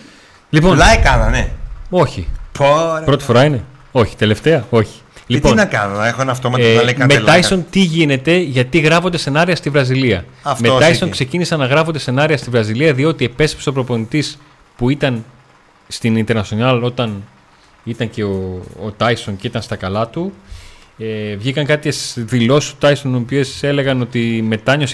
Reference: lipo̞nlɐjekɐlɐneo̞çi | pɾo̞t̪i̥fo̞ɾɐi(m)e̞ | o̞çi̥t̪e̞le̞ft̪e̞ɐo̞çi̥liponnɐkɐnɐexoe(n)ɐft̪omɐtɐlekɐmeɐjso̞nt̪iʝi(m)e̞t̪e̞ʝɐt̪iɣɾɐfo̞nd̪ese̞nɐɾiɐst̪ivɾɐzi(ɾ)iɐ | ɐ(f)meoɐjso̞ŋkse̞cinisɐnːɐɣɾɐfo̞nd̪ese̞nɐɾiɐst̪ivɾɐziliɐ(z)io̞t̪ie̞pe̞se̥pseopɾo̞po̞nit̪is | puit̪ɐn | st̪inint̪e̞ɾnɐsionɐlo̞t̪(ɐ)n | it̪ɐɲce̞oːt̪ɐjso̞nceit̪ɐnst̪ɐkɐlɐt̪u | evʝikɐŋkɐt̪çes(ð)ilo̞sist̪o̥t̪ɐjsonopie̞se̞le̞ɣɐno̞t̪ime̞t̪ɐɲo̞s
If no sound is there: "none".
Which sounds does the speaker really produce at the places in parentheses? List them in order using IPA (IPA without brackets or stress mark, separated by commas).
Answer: n, n, n, l, f, ð, ɐ, ð